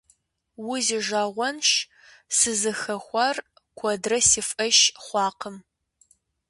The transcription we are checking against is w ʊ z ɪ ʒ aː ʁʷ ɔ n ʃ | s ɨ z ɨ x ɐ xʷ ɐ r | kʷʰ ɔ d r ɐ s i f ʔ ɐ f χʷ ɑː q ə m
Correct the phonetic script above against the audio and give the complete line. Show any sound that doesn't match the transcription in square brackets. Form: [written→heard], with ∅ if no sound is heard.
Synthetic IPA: w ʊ z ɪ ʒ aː ʁʷ ɔ n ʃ | s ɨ z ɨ x ɐ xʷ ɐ r | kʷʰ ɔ d r ɐ s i f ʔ ɐ [f→ʃ] χʷ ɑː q ə m